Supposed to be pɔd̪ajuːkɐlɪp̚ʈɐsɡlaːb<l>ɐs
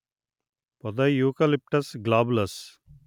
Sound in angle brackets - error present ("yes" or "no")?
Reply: no